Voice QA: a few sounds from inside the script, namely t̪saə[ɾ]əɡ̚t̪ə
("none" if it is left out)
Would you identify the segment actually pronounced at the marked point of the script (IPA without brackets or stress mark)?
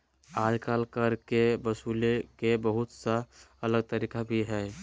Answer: l